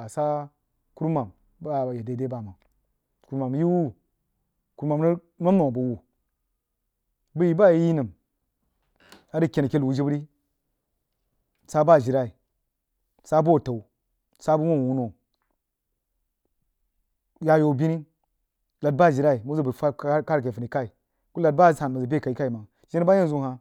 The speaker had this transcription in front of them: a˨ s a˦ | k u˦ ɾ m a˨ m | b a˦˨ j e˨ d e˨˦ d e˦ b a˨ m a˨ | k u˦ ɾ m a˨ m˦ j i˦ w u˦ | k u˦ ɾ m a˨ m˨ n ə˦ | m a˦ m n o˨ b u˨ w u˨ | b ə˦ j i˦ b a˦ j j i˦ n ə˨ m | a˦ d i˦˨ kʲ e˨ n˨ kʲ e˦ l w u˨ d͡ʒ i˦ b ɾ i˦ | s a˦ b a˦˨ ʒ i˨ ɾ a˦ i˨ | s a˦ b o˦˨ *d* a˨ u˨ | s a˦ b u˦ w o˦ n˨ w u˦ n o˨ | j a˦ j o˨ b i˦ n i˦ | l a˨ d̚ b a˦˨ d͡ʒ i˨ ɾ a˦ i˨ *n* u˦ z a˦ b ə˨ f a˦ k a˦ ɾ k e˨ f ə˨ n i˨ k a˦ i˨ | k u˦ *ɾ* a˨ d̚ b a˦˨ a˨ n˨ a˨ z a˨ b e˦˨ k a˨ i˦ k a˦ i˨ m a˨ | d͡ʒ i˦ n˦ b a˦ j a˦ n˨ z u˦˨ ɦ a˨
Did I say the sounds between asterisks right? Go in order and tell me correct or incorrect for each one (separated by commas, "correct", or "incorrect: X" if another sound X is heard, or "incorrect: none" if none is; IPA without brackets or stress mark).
incorrect: t, incorrect: m, incorrect: l